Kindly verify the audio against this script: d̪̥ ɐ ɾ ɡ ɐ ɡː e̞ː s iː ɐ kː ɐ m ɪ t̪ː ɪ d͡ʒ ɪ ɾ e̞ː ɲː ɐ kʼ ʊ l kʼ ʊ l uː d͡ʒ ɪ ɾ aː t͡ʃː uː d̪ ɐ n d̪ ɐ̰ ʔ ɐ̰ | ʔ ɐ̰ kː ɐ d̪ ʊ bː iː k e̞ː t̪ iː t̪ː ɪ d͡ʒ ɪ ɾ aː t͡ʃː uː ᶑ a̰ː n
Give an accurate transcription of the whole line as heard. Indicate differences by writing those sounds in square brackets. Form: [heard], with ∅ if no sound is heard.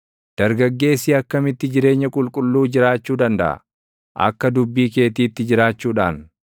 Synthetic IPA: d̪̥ ɐ ɾ ɡ ɐ ɡː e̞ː s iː ɐ kː ɐ m ɪ t̪ː ɪ d͡ʒ ɪ ɾ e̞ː ɲː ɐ kʼ ʊ l kʼ ʊ [lː] uː d͡ʒ ɪ ɾ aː t͡ʃː uː d̪ ɐ n d̪ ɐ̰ ʔ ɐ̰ | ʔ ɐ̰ kː ɐ d̪ ʊ bː iː k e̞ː t̪ iː t̪ː ɪ d͡ʒ ɪ ɾ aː t͡ʃː uː ᶑ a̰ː n